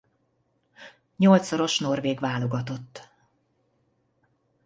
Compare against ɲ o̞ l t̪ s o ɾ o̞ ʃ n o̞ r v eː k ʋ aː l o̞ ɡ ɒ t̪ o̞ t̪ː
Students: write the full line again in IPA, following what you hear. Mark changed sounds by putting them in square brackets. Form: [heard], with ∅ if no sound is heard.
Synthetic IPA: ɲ o̞ l t̪ s o ɾ o̞ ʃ n o̞ r v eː [ɡ] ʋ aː l o̞ ɡ ɒ t̪ o̞ t̪ː